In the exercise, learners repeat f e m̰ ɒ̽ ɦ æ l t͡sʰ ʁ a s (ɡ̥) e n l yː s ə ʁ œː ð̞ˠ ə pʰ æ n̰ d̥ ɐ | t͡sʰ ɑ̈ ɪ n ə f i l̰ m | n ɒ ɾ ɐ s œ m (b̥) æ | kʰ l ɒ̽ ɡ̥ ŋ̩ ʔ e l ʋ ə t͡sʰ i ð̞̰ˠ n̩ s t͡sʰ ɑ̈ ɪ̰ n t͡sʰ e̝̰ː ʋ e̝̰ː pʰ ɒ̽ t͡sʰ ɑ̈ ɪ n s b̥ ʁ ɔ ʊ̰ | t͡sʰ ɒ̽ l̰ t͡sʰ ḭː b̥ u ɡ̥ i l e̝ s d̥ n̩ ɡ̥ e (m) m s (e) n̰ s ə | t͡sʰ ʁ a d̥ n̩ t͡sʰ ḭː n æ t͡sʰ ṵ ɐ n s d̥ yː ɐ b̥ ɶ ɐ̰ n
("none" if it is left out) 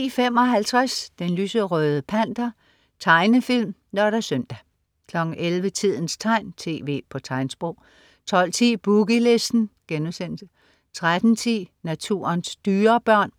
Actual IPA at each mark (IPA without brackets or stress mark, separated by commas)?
d̥, d̥, n, e